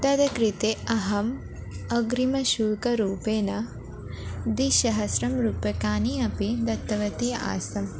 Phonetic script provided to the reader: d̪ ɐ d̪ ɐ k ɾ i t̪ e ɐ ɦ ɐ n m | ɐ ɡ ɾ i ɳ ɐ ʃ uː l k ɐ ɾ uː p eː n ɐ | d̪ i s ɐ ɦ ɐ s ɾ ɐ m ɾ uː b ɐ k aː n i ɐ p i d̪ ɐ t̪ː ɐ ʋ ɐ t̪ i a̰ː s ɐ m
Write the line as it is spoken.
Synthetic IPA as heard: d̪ ɐ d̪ ɐ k ɾ i t̪ e ɐ ɦ ɐ m | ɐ ɡ ɾ i m ɐ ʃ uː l k ɐ ɾ uː p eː n ɐ | d̪ i ʃ ɐ ɦ ɐ s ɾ ɐ m ɾ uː p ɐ k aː n i ɐ p i d̪ ɐ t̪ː ɐ ʋ ɐ t̪ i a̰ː s ɐ m